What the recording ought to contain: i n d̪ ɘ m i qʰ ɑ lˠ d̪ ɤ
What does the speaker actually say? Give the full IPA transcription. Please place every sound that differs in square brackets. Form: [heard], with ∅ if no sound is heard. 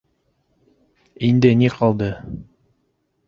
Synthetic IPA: i n d̪ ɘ [n] i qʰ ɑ lˠ d̪ ɤ